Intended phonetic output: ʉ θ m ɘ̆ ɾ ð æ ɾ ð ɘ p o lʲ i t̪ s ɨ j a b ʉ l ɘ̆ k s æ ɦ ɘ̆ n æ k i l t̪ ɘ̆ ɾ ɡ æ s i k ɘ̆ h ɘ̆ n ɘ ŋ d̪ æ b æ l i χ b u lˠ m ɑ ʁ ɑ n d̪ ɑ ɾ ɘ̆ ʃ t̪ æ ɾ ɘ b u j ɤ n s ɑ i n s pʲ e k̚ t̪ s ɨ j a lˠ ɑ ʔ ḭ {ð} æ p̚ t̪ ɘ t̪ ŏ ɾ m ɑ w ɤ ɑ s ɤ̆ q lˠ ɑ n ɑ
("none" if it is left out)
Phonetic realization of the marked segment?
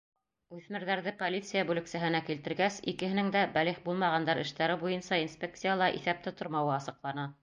θ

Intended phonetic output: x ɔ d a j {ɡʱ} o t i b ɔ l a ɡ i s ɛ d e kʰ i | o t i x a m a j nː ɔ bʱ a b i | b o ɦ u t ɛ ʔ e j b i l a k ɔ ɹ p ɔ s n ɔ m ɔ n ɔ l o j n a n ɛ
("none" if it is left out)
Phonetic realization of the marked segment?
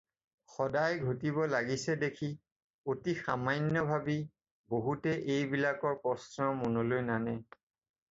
ɡʱ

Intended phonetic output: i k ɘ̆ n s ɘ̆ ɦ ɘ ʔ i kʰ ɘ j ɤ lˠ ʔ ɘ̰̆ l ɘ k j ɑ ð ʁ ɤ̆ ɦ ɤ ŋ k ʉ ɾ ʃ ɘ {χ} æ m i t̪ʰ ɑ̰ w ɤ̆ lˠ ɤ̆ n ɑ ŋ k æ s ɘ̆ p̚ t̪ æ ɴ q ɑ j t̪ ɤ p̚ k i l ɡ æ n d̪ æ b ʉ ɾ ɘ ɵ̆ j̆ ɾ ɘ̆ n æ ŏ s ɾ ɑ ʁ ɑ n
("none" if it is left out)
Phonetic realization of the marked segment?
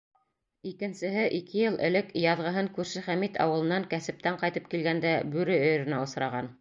χ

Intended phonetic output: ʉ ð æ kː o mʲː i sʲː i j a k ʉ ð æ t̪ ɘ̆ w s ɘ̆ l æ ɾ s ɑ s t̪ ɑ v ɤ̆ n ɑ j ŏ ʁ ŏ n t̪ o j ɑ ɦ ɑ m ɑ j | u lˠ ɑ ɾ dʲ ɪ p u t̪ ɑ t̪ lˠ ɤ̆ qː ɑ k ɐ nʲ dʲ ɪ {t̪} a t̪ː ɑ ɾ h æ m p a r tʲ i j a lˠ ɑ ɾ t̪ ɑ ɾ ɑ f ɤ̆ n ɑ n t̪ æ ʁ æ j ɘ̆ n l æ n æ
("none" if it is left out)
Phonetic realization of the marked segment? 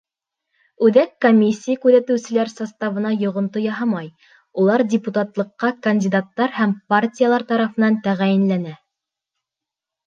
d̪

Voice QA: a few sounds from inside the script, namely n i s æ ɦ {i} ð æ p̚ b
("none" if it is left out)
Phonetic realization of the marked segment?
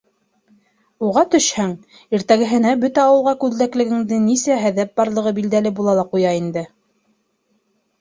æ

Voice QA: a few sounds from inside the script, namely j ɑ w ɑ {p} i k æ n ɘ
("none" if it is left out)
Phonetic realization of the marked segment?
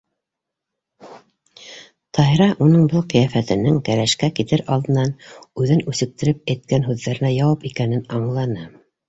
p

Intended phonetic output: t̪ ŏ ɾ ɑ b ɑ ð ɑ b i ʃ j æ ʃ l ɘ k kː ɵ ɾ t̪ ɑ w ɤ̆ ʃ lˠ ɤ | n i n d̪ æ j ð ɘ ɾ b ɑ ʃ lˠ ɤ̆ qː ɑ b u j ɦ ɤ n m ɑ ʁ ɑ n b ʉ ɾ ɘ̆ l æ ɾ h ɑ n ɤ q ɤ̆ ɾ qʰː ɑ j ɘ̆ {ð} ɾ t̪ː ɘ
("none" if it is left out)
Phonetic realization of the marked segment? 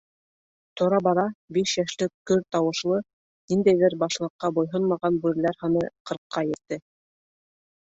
none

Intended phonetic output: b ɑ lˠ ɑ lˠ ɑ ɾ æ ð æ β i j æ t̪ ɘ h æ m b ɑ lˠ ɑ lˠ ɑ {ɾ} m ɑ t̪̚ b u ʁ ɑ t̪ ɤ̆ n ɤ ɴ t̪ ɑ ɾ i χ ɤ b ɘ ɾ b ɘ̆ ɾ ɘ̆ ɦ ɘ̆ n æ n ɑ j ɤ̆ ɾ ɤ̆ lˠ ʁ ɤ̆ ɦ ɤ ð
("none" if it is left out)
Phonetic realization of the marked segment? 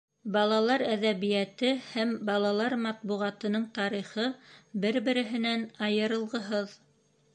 ɾ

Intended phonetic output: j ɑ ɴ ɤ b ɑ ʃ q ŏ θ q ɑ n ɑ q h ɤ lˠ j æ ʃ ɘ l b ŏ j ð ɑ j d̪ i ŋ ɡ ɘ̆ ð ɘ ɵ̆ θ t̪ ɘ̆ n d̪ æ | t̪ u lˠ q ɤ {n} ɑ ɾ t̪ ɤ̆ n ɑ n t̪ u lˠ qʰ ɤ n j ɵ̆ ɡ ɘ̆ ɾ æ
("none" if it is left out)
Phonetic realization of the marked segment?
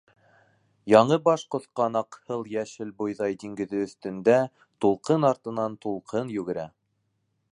n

